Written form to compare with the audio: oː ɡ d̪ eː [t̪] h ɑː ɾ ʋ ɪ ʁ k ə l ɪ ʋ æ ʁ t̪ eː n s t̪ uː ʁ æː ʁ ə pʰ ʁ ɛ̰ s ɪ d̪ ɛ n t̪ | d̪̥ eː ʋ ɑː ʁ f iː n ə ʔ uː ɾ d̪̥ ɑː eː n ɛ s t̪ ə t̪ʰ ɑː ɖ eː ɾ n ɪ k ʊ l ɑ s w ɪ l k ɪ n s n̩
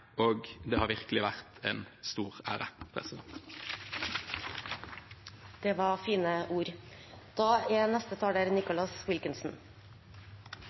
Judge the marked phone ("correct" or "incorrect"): incorrect